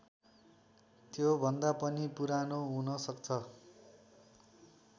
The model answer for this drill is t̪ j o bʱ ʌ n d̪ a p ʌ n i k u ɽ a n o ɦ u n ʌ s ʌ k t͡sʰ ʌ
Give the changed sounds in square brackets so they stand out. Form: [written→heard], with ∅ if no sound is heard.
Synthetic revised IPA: t̪ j o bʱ ʌ n d̪ a p ʌ n i [k→p] u [ɽ→ɾ] a n o ɦ u n ʌ s ʌ k t͡sʰ ʌ